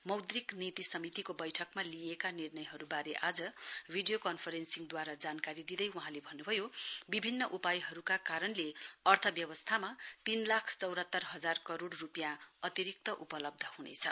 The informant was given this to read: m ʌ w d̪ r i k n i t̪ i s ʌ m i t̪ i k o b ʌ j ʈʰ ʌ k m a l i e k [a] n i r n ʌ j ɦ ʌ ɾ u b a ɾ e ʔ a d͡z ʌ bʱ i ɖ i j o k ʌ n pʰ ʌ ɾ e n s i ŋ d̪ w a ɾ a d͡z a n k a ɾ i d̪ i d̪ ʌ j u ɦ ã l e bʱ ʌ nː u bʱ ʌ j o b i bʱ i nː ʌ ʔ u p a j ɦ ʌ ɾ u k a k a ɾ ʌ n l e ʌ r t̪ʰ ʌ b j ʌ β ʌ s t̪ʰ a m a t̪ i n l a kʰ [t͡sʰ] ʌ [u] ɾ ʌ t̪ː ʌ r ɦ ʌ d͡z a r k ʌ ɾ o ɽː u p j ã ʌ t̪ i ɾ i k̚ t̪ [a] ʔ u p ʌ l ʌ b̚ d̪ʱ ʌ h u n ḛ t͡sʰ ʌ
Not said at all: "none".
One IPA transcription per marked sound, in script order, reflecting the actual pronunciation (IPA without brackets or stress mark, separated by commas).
a, t͡s, w, ʌ